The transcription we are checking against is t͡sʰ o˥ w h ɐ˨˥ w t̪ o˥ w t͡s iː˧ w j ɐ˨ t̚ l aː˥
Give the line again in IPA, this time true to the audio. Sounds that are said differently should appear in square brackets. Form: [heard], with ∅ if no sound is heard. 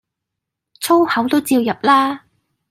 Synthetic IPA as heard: t͡sʰ o˥ w h ɐ˨˥ w t̪ o˥ w t͡s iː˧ w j ɐ˨ [p̚] l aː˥